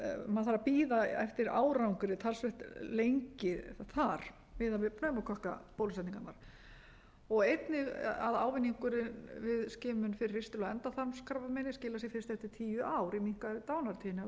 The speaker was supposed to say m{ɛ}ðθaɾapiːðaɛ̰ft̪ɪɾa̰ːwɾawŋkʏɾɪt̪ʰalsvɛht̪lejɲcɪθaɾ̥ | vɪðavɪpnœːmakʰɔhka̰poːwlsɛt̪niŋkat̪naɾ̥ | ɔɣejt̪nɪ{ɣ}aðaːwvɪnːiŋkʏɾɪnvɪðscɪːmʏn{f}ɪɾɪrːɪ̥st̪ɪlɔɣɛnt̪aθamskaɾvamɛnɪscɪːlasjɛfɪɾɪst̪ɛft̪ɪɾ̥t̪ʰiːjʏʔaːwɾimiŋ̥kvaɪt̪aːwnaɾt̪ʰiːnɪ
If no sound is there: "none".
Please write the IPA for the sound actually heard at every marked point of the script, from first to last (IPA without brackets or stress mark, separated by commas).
a, ɣ, f